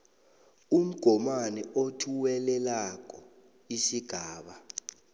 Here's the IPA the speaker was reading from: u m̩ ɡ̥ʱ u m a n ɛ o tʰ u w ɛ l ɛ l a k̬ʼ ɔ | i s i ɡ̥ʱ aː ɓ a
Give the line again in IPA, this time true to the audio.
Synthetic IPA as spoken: u m̩ ɡ̥ʱ ɔ m a n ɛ o tʰ u w ɛ l ɛ l a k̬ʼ ɔ | i s i ɡ̥ʱ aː ɓ a